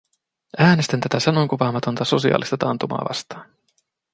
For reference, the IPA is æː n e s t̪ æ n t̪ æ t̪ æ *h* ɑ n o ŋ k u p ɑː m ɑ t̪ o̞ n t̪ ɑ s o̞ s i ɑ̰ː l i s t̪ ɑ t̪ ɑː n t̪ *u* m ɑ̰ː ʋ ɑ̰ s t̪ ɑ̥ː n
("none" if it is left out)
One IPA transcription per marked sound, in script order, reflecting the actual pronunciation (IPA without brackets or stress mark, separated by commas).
s, u